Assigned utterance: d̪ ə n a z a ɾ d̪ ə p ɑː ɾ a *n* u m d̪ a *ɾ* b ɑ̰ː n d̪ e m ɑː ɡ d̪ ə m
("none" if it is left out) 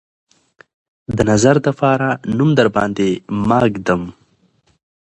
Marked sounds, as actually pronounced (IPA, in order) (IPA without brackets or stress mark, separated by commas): n, ɾ